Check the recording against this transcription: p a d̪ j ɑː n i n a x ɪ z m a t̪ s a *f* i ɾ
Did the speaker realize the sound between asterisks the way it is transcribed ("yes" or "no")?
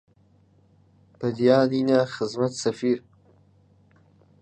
yes